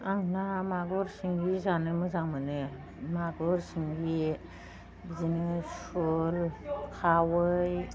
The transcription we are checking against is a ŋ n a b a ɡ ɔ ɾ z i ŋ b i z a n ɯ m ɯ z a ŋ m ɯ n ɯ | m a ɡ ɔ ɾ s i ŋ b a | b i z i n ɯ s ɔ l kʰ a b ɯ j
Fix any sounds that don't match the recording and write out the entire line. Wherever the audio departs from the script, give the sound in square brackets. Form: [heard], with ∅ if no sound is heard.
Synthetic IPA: a ŋ n a [m] a ɡ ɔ ɾ [s] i ŋ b i z a n ɯ m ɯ z a ŋ m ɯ n ɯ | m a ɡ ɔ ɾ s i ŋ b [i] | b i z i n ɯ s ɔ l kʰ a [w] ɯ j

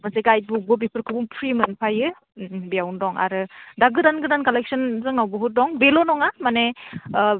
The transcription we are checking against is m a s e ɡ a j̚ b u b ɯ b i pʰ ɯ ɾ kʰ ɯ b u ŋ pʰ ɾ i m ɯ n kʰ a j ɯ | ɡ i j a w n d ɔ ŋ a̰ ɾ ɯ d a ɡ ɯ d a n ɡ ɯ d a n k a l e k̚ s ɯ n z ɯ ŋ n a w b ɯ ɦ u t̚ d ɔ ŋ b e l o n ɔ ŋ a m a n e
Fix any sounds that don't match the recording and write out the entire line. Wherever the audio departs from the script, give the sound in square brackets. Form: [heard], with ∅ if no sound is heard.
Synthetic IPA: m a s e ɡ a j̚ b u b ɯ b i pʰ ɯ ɾ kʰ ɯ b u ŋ pʰ ɾ i m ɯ n [pʰ] a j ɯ | [b] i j a w n d ɔ ŋ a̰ ɾ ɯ d a ɡ ɯ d a n ɡ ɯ d a n k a l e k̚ s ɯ n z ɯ ŋ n a w b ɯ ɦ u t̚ d ɔ ŋ b e l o n ɔ ŋ a m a n e

